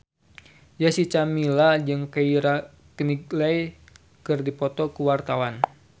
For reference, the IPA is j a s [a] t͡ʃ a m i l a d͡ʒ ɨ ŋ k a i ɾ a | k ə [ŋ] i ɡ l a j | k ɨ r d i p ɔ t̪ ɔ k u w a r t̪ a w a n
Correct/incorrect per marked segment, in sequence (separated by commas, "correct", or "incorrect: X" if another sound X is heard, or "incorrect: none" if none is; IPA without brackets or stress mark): incorrect: i, incorrect: n